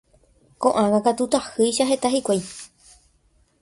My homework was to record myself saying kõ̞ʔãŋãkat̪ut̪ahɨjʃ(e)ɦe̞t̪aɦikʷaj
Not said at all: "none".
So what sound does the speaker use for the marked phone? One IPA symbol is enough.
a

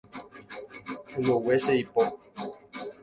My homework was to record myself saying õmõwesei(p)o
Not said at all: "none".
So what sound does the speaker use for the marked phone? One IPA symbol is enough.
p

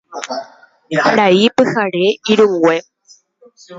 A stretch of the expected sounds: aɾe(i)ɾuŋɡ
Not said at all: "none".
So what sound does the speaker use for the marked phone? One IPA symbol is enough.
i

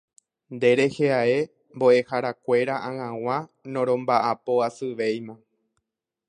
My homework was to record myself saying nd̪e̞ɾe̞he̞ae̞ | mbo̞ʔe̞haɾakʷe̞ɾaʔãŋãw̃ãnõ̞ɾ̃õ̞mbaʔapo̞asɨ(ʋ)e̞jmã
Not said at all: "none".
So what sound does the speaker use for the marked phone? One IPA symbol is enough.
ʋ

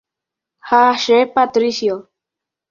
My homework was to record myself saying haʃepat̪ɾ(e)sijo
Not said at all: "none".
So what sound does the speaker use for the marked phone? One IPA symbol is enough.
i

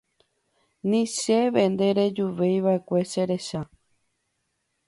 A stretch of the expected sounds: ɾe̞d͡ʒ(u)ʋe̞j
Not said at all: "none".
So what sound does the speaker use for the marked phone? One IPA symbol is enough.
u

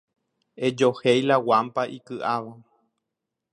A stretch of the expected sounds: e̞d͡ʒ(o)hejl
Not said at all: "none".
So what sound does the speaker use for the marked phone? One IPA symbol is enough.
o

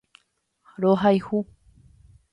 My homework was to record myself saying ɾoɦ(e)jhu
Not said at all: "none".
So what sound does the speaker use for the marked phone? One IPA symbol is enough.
a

